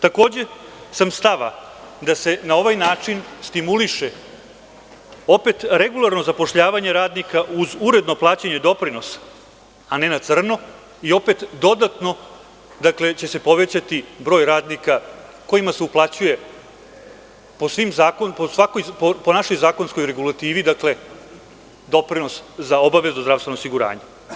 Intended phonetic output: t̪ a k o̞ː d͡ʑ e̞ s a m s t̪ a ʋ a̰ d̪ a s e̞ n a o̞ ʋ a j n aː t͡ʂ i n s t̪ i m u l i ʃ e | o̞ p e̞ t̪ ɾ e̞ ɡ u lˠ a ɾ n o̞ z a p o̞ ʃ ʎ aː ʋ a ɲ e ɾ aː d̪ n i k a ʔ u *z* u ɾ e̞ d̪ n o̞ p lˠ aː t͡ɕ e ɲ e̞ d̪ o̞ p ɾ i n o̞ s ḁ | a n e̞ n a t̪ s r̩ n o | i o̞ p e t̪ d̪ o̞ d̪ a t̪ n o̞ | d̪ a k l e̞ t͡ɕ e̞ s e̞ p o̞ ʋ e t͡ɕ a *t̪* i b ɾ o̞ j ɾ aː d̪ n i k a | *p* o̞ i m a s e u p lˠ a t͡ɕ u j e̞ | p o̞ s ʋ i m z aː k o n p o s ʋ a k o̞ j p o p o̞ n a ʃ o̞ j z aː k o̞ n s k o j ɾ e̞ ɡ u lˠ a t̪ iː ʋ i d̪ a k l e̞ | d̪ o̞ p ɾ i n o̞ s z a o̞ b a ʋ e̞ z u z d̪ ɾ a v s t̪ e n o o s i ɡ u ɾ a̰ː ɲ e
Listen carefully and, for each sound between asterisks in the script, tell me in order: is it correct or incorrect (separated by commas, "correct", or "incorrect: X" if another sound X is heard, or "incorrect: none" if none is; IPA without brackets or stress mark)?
correct, correct, incorrect: k